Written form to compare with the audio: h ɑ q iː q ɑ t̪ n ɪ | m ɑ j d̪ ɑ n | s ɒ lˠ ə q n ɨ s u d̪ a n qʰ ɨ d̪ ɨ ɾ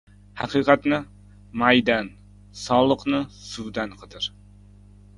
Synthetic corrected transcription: h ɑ q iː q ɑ t̪ n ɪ | m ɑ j d̪ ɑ n | s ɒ lˠ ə q n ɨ s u d̪ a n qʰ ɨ d̪ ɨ ɾ